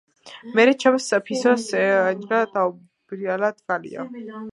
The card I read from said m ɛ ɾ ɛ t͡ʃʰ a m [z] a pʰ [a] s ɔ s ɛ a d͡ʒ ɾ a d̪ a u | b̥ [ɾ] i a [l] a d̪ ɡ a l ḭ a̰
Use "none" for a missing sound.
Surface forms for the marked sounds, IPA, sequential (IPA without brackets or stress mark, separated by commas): s, i, ɾ, l